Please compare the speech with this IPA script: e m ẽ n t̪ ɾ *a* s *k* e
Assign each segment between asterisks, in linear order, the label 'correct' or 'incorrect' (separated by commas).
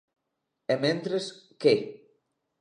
incorrect, correct